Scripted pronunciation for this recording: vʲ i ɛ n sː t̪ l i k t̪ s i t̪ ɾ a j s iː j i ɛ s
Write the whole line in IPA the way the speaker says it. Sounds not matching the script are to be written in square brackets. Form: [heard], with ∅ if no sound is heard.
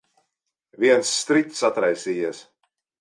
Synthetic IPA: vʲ i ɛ n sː t̪ [ɾ] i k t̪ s [a] t̪ ɾ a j s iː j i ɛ s

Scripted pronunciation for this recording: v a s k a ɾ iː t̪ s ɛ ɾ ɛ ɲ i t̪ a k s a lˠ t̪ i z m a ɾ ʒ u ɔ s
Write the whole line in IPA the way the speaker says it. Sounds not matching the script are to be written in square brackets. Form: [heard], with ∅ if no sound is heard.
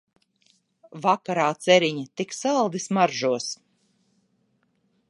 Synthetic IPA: v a [∅] k a ɾ [aː] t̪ s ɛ ɾ [i] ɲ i t̪ [i] k s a lˠ [d̪] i [s] m a ɾ ʒ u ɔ s

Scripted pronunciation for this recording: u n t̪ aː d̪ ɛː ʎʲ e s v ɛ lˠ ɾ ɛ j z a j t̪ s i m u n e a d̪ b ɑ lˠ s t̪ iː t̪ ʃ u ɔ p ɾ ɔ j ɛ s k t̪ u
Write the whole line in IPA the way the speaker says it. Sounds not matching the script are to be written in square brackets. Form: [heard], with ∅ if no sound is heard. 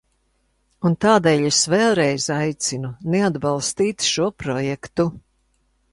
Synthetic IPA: u n t̪ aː d̪ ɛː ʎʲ e s v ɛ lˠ ɾ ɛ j z a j t̪ s i [n] u n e a d̪ b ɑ lˠ s t̪ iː t̪ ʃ u ɔ p ɾ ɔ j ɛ [∅] k t̪ u

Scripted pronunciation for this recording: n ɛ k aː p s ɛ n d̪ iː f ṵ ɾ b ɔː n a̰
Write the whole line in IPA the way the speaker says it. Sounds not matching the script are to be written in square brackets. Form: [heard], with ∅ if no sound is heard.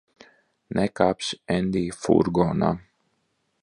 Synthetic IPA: n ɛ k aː p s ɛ n d̪ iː f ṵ ɾ [ɡ] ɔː n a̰

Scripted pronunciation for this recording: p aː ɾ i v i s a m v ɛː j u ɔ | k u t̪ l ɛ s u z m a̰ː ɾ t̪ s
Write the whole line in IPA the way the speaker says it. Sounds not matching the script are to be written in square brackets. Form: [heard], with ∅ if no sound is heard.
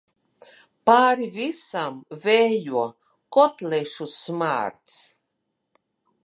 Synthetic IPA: p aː ɾ i v i s a m v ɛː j u ɔ | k [ɔ] t̪ l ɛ [ʃ] u [s] m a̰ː ɾ t̪ s

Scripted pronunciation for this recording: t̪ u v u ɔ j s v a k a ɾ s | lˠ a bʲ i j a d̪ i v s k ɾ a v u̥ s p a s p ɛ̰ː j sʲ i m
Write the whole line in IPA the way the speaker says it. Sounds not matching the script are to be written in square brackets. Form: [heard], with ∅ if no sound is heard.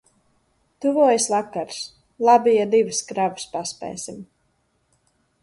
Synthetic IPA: t̪ u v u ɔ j s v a k a ɾ s | lˠ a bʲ i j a d̪ i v s k ɾ a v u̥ s p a s p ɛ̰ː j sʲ i m

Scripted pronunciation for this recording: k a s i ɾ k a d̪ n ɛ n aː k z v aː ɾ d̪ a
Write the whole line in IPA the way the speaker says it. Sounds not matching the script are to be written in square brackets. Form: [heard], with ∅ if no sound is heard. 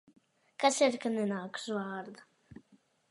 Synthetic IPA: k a s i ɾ k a [∅] n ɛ n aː k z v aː ɾ d̪ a

